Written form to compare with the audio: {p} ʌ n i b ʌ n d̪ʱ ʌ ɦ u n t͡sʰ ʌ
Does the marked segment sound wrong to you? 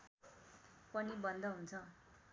no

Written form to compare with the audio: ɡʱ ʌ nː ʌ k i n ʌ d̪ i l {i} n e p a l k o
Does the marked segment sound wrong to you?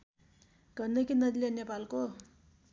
yes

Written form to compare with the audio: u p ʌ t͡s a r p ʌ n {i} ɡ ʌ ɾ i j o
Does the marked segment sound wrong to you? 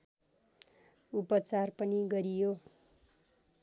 no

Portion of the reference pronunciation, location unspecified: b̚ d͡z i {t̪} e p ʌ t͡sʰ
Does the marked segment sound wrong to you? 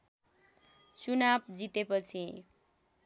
no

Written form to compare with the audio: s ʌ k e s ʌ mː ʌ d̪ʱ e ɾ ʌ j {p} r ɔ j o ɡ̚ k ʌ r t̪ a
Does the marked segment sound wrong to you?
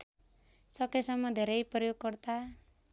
no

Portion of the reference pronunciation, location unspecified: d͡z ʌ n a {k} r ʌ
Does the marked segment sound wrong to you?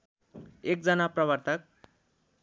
yes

